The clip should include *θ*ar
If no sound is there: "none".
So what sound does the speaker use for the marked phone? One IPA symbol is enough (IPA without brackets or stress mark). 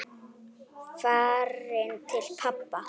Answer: f